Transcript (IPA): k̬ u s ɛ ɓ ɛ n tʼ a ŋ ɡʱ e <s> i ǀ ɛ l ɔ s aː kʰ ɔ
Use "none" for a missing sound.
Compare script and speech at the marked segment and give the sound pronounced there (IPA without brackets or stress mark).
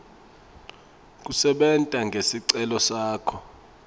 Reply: s